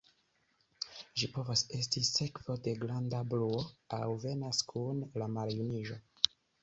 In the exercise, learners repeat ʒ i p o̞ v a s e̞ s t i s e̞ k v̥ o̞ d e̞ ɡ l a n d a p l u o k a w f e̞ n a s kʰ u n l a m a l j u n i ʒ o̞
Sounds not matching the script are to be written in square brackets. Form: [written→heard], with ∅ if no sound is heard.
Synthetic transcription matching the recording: ʒ i p o̞ v a s e̞ s t i s e̞ k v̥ o̞ d e̞ ɡ l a n d a [p→b] l u o [k→∅] a w [f→v] e̞ n a s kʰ u n l a m a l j u n i ʒ o̞